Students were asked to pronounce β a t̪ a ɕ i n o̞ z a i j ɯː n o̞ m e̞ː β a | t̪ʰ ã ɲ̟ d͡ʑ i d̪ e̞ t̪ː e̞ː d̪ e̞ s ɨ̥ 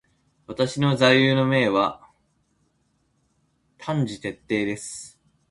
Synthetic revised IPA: β a t̪ a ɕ i n o̞ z a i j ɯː n o̞ m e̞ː β a | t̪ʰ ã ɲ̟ d͡ʑ i t̪ e̞ t̪ː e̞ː d̪ e̞ s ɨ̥